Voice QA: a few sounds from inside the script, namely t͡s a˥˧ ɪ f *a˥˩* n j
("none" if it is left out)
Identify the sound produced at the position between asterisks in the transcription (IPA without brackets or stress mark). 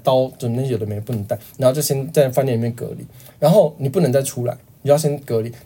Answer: a˥